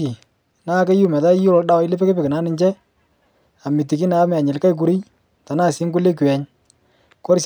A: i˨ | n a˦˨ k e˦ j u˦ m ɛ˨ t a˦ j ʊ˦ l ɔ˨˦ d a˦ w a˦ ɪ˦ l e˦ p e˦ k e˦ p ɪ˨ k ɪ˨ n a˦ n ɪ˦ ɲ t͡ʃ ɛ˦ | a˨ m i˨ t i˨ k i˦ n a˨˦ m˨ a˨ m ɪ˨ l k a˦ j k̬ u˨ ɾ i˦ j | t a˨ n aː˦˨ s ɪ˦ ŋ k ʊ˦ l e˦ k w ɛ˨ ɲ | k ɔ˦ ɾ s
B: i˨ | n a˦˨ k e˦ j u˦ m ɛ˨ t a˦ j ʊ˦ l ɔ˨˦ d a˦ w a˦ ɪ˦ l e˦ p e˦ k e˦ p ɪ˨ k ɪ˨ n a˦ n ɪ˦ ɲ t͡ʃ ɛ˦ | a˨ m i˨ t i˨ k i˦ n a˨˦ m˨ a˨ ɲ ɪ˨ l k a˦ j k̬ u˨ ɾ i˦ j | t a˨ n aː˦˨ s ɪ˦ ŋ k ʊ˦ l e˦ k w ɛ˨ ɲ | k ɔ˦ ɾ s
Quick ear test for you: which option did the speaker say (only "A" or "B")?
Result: B